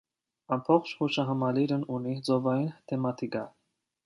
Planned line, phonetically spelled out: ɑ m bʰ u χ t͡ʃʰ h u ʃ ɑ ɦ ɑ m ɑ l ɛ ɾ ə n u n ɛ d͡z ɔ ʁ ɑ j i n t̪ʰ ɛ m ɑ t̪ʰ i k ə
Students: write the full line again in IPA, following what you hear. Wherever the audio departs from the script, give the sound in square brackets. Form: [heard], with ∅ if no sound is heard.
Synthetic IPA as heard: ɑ m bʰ [ɔ] χ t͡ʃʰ h u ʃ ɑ ɦ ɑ m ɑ l [i] ɾ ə n u n [i] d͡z ɔ [v] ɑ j i n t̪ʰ ɛ m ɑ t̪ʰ i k [ɑ]